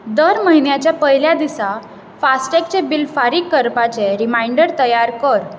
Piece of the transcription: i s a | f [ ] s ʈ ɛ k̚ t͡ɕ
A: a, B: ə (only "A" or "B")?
A